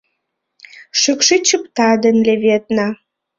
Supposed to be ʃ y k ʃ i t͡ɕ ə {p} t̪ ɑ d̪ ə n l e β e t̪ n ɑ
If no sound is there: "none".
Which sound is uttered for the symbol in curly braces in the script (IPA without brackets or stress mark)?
p